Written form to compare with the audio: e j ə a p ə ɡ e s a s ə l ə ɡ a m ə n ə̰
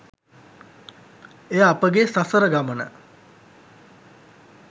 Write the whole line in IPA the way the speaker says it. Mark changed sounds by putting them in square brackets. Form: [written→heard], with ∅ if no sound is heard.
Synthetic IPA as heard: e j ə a p ə ɡ e s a s ə [l→ɾ] ə ɡ a m ə n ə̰